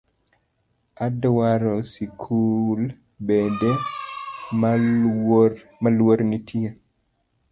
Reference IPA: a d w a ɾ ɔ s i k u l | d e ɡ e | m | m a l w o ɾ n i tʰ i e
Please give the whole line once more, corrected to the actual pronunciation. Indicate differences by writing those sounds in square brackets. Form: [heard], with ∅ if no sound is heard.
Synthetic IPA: a d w a ɾ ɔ s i [kʰ] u l | [b] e [d] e | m | m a l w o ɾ n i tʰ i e